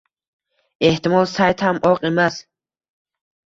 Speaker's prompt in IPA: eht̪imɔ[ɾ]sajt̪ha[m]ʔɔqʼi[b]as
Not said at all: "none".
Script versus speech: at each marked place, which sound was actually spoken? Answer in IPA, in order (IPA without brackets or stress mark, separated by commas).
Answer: l, m, m